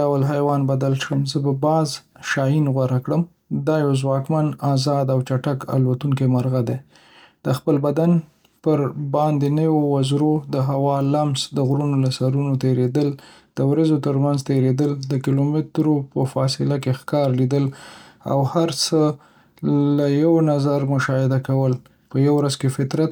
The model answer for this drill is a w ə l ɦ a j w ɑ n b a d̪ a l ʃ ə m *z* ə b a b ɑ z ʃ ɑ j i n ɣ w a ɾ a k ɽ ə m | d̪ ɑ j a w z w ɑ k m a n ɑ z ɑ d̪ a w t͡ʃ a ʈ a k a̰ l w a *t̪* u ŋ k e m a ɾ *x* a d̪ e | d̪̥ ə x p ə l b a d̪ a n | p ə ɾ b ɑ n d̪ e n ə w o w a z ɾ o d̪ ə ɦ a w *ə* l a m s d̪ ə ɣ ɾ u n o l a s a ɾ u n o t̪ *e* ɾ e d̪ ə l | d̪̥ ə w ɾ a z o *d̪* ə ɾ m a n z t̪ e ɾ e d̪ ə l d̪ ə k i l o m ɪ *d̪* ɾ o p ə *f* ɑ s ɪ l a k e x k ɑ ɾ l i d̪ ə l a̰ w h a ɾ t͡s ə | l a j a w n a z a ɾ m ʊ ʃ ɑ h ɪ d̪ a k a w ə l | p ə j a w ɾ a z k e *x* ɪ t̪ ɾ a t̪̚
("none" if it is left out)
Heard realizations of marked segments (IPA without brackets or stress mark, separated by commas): z, t̪, ɣ, ɑ, e, t̪, t̪, f, f